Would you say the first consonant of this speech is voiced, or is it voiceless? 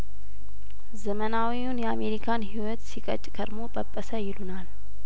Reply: voiced